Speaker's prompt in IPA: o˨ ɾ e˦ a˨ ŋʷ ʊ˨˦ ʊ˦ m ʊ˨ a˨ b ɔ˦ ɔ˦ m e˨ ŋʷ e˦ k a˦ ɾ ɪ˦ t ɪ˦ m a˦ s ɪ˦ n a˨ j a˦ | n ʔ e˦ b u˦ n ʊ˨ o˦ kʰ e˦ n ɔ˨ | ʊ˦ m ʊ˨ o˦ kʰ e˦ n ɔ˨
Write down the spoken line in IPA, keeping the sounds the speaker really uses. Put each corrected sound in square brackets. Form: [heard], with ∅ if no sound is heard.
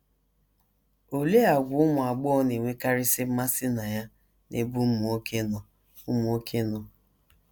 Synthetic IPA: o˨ [l] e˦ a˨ [ɡʷ] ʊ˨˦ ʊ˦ m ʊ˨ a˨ [ɡ͡b] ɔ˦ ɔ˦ [n] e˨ ŋʷ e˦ k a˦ ɾ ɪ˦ [s] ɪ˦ m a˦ s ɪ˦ n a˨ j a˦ | n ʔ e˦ b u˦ [m] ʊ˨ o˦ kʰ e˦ n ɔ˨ | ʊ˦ m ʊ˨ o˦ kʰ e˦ n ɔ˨